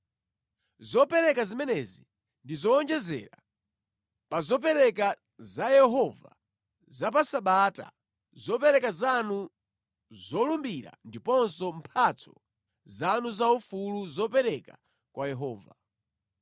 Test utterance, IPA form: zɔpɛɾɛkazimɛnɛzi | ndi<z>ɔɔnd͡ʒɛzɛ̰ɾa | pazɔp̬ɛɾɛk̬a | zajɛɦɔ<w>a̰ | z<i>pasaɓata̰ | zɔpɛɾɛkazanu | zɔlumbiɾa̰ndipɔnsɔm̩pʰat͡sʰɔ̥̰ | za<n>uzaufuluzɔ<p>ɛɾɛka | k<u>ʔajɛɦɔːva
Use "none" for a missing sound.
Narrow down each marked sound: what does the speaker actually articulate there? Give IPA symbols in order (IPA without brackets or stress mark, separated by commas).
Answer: z, v, a, n, p, w